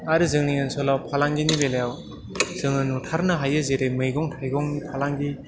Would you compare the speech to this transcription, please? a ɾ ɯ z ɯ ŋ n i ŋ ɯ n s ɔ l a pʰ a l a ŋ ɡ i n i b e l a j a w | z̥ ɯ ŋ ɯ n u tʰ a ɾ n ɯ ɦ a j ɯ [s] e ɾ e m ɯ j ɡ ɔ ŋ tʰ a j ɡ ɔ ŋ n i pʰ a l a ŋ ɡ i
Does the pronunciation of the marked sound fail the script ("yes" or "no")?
yes